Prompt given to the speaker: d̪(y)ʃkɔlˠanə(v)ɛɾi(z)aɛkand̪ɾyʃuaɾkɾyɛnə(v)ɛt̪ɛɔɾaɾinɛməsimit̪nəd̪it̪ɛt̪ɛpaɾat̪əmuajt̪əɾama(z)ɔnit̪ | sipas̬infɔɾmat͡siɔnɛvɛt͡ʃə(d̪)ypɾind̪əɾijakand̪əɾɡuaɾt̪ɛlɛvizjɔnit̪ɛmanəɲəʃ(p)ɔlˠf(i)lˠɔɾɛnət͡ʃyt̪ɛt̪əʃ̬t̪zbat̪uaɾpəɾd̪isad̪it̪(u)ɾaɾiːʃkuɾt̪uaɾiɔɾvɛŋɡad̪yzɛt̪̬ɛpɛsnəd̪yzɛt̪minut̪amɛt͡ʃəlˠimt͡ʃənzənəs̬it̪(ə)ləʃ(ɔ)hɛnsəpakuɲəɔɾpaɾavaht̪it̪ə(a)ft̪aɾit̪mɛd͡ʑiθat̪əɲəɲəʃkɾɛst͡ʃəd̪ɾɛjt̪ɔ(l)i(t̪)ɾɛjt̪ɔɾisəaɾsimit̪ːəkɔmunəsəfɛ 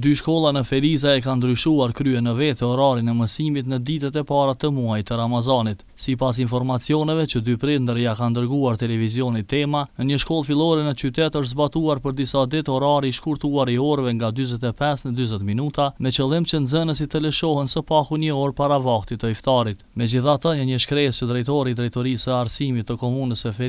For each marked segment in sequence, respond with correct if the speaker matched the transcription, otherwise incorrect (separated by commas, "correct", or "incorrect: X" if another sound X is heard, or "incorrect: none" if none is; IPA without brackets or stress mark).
correct, incorrect: f, correct, correct, correct, correct, incorrect: k, correct, incorrect: ɔ, correct, correct, incorrect: i, incorrect: ɾ, incorrect: d̪